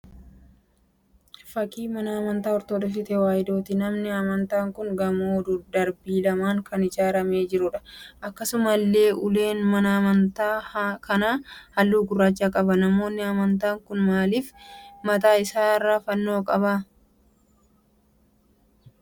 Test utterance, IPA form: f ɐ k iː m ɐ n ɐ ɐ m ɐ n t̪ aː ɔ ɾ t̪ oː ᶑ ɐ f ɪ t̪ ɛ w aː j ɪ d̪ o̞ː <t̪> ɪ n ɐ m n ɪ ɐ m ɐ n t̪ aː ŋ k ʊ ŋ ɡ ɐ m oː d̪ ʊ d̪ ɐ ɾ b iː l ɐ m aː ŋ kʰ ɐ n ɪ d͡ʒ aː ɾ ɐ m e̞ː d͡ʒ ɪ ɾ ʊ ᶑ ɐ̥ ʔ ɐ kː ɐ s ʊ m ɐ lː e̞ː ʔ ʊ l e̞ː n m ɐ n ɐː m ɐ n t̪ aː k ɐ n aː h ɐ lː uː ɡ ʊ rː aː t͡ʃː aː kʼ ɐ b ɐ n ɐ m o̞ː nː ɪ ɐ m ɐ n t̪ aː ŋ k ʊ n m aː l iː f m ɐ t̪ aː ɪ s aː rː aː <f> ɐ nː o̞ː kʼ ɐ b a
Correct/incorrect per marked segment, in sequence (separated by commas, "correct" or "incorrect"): correct, correct